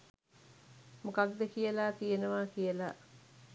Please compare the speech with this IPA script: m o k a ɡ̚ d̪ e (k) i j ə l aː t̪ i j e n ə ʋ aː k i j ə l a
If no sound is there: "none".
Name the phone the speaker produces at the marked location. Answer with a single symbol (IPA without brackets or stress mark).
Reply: k